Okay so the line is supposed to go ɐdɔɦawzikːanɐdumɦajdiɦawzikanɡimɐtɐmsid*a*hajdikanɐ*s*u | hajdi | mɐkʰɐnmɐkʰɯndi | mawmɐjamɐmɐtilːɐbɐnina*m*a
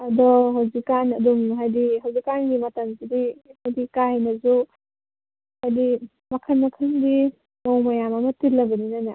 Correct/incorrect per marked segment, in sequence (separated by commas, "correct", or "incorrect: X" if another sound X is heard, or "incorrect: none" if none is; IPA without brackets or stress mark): incorrect: i, incorrect: z, incorrect: n